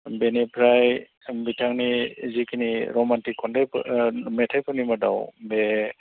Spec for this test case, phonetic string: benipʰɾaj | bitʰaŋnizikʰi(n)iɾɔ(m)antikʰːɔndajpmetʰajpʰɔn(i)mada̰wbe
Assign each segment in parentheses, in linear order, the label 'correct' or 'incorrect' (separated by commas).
correct, correct, correct